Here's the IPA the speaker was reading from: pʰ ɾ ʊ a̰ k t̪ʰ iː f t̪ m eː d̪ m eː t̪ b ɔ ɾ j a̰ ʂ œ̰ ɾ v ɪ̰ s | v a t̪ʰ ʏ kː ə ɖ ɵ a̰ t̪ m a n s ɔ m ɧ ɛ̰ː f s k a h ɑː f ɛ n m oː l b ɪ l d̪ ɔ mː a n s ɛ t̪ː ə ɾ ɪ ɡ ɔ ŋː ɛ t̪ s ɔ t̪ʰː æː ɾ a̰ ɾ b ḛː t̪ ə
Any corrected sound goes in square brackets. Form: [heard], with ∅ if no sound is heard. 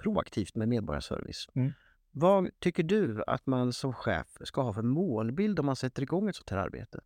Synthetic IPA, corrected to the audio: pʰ ɾ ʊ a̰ k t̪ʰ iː f t̪ m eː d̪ m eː [d̪] b ɔ ɾ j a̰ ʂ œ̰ ɾ v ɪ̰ s | v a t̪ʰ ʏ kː ə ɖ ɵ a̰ t̪ m a n s ɔ m ɧ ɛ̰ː f s k a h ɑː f ɛ n m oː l b ɪ l d̪ ɔ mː a n s ɛ t̪ː ə ɾ ɪ ɡ ɔ ŋː ɛ t̪ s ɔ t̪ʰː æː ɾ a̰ ɾ b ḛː t̪ ə